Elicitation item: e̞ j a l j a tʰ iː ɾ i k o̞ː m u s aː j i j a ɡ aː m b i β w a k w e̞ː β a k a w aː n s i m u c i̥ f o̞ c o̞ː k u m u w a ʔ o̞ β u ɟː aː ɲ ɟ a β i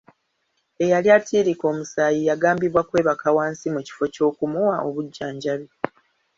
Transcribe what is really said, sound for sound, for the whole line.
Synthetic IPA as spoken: e̞ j a l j a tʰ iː ɾ i k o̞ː m u s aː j i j a ɡ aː m b i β w a k w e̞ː β a k a w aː n s i m u c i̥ f o̞ c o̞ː k u m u w a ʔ o̞ β u ɟː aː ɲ ɟ a β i